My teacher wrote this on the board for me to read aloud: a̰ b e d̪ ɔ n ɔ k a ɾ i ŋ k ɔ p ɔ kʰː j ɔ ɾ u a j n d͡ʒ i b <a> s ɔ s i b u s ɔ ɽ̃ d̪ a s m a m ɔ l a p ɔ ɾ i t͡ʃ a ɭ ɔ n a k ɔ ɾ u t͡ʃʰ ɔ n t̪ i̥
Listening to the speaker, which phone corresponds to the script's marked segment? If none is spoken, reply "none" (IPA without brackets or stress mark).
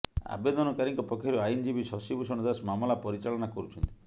i